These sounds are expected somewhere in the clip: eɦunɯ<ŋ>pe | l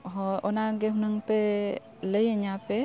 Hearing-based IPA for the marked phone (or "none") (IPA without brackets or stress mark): ŋ